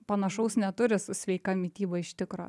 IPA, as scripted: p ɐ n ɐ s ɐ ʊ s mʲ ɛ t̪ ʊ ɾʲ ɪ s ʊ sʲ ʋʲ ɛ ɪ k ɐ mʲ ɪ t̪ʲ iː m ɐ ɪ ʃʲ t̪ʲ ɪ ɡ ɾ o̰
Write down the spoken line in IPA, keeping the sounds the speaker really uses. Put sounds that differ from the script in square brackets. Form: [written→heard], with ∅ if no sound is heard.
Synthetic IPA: p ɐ n ɐ [s→ʃ] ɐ ʊ s [mʲ→nʲ] ɛ t̪ ʊ ɾʲ ɪ s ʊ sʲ ʋʲ ɛ ɪ k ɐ mʲ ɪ t̪ʲ iː [m→b] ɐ ɪ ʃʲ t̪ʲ ɪ [ɡ→k] ɾ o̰